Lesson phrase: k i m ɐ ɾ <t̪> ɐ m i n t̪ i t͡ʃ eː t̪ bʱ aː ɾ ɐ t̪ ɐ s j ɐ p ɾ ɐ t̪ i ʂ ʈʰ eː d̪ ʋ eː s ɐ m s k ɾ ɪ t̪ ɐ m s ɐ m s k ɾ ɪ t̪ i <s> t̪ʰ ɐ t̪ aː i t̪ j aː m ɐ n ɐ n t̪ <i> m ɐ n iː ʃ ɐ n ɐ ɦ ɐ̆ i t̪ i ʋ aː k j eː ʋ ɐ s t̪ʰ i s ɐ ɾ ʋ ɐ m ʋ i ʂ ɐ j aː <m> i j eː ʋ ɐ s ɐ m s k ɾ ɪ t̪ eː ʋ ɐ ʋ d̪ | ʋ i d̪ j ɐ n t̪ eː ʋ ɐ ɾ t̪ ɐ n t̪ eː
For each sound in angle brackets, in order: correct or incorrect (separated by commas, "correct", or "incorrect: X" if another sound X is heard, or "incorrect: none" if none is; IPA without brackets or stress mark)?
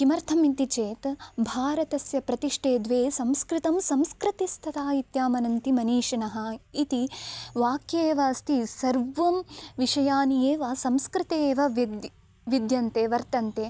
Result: incorrect: t̪ʰ, correct, correct, incorrect: n